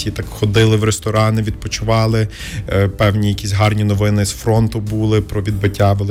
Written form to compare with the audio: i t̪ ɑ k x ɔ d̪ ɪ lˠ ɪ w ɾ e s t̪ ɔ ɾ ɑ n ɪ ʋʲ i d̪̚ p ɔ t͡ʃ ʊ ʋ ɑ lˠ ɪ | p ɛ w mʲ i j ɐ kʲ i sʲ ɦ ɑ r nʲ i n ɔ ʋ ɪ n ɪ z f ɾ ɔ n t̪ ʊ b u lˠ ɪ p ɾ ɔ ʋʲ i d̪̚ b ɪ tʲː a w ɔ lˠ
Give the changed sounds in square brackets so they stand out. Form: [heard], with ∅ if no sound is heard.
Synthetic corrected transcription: i t̪ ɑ k x ɔ d̪ ɪ lˠ ɪ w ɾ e s t̪ ɔ ɾ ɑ n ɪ ʋʲ i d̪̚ p ɔ t͡ʃ ʊ ʋ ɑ lˠ ɪ | p ɛ w [nʲ] i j ɐ kʲ i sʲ ɦ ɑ r nʲ i n ɔ ʋ ɪ n ɪ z f ɾ ɔ n t̪ ʊ b u lˠ ɪ p ɾ ɔ ʋʲ i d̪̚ b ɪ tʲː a [ʋ] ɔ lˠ